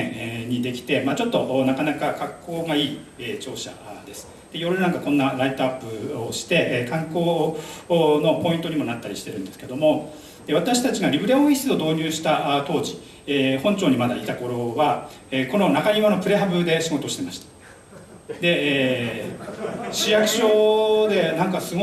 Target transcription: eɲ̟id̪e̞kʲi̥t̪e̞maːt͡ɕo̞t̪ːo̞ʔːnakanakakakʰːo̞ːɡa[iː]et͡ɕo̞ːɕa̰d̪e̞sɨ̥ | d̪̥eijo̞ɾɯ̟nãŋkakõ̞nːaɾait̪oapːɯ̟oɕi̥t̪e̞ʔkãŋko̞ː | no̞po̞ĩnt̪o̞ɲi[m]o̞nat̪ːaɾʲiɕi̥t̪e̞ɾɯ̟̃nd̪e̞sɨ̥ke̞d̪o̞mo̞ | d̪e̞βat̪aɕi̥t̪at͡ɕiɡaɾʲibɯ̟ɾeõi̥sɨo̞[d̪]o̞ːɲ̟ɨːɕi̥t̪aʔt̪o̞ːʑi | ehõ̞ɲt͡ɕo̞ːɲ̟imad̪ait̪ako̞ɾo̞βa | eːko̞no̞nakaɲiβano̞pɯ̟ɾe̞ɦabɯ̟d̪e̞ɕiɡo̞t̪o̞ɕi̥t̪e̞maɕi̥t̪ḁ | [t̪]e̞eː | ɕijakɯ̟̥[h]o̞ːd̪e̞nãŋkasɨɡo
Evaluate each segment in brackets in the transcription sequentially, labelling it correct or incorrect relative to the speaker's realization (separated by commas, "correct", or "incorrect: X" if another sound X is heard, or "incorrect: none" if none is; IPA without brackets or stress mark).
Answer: correct, correct, correct, incorrect: d̪, incorrect: ɕ